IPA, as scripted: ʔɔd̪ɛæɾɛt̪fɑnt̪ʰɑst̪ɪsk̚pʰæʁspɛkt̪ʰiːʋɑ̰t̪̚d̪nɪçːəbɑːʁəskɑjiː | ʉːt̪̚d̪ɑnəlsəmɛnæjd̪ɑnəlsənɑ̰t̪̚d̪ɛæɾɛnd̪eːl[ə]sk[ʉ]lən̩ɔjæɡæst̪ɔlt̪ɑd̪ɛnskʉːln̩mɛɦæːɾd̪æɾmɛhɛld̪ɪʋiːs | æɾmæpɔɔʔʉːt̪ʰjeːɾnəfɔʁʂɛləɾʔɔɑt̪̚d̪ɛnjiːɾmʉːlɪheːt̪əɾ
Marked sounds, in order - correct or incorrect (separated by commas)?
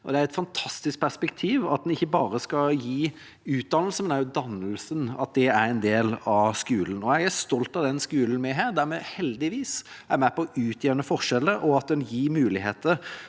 incorrect, incorrect